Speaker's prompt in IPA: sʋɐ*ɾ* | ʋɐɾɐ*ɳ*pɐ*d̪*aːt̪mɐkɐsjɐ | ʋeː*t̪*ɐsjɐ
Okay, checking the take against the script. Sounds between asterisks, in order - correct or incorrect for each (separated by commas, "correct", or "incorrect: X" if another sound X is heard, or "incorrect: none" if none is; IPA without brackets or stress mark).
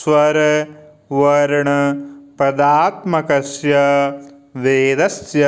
correct, correct, correct, incorrect: d̪